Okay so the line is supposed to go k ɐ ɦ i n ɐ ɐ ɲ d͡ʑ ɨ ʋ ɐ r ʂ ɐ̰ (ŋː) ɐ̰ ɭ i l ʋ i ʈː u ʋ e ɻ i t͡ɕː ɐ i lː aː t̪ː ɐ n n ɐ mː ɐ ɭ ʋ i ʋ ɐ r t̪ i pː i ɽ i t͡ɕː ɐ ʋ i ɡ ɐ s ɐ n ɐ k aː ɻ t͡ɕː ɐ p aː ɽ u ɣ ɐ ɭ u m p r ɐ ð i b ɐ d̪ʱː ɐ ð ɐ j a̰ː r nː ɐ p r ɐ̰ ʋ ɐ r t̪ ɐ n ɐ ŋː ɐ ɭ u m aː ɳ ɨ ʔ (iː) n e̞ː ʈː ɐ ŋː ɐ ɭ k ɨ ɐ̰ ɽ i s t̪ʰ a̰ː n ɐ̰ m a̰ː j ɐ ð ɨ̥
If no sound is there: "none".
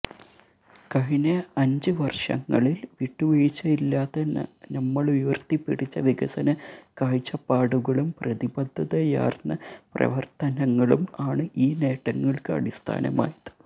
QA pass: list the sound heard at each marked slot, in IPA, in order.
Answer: ŋː, iː

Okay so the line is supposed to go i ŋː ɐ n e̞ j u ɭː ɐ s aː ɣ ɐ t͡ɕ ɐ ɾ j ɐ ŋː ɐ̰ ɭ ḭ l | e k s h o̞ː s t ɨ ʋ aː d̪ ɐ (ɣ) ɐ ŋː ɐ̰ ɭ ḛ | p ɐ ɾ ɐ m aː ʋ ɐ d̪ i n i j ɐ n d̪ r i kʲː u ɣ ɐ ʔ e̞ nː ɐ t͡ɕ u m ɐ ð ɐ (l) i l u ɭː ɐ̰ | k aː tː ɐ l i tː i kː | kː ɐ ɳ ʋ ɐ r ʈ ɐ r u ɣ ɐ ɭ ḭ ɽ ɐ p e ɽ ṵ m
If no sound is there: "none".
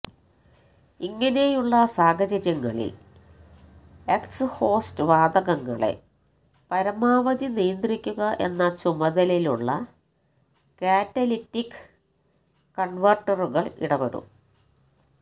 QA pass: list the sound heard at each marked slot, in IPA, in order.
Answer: ɣ, l

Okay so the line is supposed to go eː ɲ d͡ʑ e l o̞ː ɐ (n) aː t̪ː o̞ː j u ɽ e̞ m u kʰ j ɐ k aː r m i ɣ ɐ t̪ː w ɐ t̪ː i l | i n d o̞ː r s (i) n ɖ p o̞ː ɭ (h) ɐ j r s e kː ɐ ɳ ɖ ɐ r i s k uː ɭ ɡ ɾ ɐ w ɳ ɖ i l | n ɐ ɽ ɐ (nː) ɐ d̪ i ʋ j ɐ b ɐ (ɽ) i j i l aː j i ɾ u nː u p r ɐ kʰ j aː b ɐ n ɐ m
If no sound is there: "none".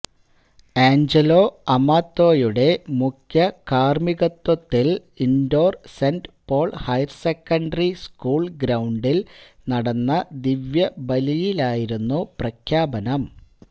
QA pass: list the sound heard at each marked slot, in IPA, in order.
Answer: m, e, h, nː, l

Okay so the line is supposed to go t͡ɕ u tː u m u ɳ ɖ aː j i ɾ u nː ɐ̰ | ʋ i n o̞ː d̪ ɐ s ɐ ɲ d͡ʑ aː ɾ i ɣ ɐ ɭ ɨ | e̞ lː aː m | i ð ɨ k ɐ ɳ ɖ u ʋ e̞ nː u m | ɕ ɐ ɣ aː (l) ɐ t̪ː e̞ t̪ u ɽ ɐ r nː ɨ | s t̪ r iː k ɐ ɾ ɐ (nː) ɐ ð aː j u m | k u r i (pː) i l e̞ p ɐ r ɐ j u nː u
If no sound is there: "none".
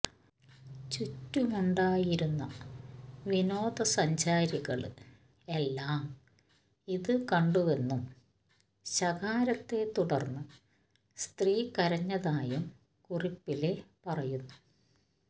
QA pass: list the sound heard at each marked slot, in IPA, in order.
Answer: ɾ, ɲː, pː

